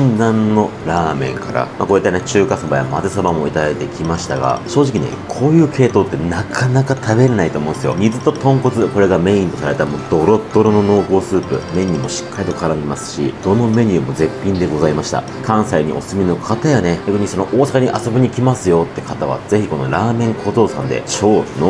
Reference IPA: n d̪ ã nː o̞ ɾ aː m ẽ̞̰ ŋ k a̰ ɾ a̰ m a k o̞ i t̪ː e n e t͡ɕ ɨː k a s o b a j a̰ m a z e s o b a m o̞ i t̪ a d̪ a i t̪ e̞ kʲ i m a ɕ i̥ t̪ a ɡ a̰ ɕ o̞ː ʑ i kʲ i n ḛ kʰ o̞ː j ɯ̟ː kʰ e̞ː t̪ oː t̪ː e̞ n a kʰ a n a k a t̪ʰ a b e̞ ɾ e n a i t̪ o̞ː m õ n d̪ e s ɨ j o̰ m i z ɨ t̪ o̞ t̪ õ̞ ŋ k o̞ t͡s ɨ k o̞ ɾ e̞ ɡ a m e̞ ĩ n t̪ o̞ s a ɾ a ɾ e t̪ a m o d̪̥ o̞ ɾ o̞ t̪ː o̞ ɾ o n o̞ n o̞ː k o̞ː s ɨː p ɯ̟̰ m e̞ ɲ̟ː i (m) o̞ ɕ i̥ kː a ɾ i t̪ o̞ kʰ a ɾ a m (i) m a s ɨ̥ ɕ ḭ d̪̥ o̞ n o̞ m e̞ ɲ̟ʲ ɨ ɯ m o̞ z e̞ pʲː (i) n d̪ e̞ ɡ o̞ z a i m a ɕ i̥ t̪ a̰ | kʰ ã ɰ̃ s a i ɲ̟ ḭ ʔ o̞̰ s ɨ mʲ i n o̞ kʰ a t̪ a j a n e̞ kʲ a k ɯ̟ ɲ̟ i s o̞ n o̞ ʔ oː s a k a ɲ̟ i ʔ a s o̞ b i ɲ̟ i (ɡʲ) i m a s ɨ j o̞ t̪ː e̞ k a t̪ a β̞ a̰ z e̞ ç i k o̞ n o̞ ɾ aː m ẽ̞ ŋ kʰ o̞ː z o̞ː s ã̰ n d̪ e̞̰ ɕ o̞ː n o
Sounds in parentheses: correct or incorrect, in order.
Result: correct, correct, incorrect: ĩ, incorrect: kʲ

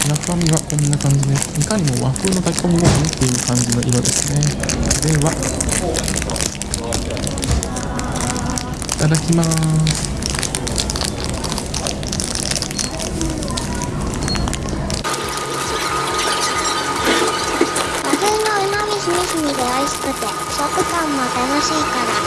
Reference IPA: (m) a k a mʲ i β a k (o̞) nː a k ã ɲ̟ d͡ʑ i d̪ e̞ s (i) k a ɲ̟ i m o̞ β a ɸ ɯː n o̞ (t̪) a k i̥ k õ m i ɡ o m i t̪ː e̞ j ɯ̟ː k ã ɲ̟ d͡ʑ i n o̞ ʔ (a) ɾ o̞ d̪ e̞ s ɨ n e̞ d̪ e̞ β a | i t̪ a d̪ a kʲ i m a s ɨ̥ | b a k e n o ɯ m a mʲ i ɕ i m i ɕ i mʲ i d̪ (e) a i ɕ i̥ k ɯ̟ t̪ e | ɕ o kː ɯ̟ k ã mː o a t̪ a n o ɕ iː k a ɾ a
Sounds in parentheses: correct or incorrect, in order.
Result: incorrect: n, incorrect: õ̞, correct, correct, incorrect: i, correct

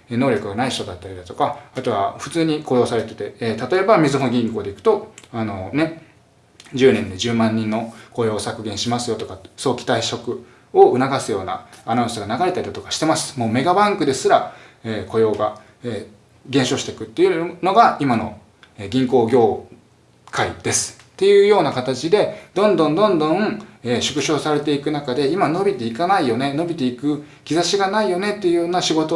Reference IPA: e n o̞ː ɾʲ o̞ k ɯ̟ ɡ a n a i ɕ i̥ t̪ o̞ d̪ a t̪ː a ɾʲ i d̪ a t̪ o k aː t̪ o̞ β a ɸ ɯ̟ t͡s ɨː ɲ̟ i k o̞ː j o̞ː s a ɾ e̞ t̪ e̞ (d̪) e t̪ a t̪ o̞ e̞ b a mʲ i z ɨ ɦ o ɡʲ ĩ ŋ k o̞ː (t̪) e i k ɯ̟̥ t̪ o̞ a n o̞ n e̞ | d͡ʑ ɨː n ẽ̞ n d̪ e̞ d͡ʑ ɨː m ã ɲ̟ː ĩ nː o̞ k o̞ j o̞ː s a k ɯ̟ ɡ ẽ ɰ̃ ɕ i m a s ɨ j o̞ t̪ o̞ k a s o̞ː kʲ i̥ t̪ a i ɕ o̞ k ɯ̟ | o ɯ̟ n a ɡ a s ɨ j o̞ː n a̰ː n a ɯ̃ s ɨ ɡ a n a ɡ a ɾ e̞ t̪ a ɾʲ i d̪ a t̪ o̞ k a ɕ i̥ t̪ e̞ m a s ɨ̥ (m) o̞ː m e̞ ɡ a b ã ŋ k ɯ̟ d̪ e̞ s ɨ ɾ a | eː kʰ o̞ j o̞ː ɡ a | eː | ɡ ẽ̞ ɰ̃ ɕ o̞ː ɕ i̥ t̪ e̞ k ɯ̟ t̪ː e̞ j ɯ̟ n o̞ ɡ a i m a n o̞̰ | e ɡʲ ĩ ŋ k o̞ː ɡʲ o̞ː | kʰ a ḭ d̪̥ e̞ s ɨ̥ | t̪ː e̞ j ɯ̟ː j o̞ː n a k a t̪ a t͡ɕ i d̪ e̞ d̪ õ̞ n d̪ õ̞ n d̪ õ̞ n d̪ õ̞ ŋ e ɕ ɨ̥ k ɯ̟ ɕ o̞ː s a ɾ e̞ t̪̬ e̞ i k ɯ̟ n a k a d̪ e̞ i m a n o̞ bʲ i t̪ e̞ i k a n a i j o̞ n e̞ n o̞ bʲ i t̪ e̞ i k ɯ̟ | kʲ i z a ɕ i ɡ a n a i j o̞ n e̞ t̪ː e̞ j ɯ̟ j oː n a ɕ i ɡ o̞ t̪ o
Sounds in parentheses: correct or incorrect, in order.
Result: incorrect: t̪, incorrect: d̪, correct

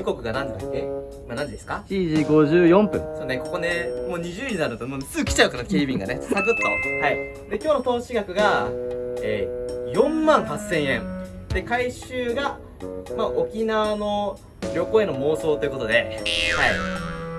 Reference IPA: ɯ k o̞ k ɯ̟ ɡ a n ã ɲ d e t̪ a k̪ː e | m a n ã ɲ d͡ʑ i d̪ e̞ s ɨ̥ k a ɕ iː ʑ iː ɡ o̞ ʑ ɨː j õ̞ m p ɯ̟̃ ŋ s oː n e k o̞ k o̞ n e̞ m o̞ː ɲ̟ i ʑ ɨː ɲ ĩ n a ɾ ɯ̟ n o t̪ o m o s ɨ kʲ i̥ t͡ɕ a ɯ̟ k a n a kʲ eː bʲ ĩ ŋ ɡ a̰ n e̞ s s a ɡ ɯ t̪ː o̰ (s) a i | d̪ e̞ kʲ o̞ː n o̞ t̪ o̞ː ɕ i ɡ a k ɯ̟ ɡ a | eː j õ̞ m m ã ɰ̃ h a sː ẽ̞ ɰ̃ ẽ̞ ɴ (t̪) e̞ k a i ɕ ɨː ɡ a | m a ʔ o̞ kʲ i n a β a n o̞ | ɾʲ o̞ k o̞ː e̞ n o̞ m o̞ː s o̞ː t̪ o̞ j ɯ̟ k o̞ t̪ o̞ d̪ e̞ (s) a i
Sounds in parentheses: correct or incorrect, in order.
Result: incorrect: h, incorrect: d̪, incorrect: h

